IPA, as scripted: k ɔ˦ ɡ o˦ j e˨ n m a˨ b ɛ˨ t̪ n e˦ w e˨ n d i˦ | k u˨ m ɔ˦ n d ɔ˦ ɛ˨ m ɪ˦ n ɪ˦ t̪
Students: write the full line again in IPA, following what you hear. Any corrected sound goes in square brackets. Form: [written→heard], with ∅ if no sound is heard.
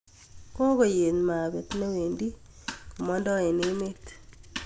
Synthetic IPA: k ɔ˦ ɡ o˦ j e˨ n m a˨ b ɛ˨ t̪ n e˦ w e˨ n d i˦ | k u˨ m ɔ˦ n d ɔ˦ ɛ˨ [m→n] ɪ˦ [n→m] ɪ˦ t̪